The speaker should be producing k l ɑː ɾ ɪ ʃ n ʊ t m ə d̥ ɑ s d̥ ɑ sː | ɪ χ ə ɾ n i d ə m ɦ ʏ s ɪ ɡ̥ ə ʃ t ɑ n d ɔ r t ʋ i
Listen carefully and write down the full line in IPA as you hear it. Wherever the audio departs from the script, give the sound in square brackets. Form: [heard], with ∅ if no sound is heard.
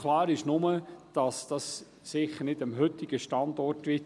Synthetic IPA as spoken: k l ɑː ɾ ɪ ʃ n ʊ [∅] m ə d̥ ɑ s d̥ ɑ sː | ɪ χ ə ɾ n [ɪ] d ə m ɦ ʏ [t] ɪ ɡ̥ ə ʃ t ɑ n d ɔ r t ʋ [ɪ]

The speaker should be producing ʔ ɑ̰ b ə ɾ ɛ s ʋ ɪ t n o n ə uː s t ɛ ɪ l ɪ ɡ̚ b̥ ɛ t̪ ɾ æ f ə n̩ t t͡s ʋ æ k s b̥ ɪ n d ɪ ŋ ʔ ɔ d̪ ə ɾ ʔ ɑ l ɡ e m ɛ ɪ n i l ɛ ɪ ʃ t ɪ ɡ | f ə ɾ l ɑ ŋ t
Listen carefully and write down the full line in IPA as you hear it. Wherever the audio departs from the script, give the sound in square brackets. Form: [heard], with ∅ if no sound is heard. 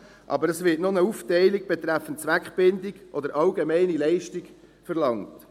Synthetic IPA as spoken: ʔ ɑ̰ b ə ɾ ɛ s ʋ ɪ t n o n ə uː [f] t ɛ ɪ l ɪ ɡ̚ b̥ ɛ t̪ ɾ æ f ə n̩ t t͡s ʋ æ k [χ] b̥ ɪ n d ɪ [ɡ] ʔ ɔ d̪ ə ɾ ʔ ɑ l ɡ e m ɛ ɪ n i l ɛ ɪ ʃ t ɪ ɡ | f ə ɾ l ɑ ŋ t

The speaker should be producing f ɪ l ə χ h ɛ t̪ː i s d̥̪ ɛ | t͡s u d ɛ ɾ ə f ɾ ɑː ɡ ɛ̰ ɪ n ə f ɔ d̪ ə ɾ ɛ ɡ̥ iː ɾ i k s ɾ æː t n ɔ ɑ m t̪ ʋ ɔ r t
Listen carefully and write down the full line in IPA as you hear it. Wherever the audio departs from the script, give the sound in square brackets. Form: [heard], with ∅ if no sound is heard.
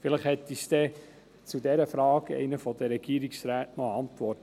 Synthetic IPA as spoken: f ɪ l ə χ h ɛ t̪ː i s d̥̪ ɛ | t͡s u d ɛ ɾ ə f ɾ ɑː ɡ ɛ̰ ɪ n ə f ɔ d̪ ə ɾ ɛ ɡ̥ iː ɾ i k s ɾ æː t n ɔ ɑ [n] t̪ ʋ ɔ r t

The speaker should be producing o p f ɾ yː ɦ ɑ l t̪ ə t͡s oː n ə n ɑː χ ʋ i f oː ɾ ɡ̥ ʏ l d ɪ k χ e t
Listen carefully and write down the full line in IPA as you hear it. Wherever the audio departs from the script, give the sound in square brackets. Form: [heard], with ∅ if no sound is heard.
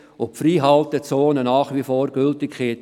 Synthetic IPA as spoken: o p f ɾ [iː] ɦ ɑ l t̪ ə t͡s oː n ə n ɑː χ ʋ i f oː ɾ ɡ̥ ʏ l [t] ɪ k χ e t

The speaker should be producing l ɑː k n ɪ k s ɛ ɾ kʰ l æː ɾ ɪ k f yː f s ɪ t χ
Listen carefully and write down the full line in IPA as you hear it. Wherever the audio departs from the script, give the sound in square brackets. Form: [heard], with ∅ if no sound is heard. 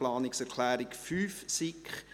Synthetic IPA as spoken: l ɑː [∅] n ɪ k s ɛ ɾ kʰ l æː ɾ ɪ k f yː f s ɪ [k] χ

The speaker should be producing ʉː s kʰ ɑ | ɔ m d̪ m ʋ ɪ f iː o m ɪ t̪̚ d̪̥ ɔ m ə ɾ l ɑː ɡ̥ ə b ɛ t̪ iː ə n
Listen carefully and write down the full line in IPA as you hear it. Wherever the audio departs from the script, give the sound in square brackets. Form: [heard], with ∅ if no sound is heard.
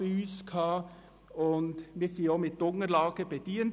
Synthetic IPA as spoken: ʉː s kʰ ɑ | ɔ [n] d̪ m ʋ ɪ [s] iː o m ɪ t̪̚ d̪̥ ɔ [ŋ] ə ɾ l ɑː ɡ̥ ə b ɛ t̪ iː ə n

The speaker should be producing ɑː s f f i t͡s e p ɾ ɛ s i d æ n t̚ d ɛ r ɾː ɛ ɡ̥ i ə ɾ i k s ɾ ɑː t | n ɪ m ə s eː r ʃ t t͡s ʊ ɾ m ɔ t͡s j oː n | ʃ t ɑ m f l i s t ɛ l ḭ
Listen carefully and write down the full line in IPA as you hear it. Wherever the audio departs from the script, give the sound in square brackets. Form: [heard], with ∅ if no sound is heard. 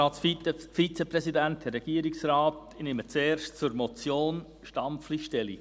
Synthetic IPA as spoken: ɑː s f f i t͡s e p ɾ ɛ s i d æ n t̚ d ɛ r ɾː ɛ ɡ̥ i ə ɾ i k s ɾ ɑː t | n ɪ m ə [t͡s] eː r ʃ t t͡s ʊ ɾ m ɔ t͡s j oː n | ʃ t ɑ m f l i [ʃ] t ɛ l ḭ

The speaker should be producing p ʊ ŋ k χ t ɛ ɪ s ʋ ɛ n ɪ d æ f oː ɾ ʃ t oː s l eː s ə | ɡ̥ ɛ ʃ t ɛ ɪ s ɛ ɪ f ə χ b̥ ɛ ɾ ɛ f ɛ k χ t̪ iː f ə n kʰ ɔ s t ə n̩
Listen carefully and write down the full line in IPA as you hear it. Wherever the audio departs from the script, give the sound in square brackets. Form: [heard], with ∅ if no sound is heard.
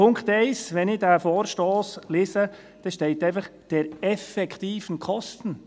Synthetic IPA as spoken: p ʊ ŋ k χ t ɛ ɪ s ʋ ɛ n ɪ d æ f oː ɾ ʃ t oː s l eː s ə | [d̥] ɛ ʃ t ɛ ɪ [t] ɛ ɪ f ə χ [d̥] ɛ ɾ ɛ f ɛ k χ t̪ iː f ə n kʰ ɔ s t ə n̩

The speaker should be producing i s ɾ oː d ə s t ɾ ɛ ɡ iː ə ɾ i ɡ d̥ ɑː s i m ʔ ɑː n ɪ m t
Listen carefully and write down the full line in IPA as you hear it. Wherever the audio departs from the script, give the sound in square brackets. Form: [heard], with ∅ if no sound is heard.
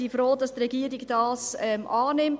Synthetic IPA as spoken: i [f] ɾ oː d [ɑ] s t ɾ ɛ ɡ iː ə ɾ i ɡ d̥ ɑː s [ɛ] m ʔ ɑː n ɪ m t

